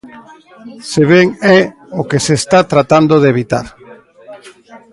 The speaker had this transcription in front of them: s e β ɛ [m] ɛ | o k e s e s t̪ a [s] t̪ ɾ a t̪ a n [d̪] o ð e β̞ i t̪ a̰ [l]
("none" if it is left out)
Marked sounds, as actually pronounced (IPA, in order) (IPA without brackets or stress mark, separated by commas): ŋ, none, d̪, ɾ